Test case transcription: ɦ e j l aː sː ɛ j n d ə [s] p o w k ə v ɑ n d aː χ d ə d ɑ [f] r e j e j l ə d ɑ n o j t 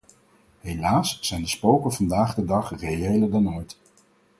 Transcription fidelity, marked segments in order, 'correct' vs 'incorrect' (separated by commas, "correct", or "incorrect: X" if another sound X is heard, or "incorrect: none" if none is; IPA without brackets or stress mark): correct, incorrect: χ